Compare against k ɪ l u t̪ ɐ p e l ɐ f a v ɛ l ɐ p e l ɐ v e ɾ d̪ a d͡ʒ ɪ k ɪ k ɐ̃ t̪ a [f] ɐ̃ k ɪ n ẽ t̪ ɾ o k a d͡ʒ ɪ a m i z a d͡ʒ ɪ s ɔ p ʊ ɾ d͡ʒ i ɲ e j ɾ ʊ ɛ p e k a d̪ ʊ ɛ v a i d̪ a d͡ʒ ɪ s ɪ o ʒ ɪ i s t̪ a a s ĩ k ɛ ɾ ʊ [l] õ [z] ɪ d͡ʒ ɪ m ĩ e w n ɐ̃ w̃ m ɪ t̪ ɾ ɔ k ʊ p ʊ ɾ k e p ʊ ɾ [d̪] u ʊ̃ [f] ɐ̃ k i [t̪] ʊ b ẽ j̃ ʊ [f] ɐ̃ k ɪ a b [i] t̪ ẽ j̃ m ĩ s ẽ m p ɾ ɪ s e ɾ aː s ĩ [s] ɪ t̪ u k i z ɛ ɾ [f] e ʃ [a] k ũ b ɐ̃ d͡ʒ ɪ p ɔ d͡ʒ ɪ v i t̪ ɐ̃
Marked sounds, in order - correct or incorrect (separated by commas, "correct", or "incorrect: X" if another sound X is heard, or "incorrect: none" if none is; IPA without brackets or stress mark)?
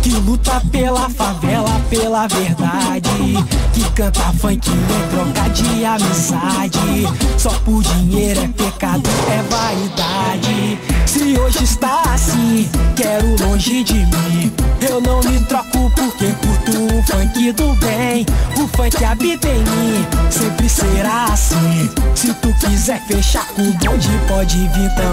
correct, correct, incorrect: ʒ, incorrect: t̪, correct, incorrect: d̪, correct, correct, correct, correct, correct